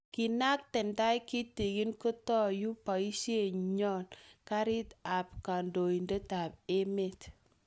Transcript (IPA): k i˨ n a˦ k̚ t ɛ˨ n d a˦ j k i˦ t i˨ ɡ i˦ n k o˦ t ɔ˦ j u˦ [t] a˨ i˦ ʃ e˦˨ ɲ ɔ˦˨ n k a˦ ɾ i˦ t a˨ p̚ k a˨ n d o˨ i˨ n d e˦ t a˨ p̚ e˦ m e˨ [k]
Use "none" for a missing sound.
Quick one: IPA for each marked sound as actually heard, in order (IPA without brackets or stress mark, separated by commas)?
p, t